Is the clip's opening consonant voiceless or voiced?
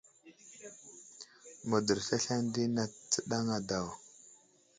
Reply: voiced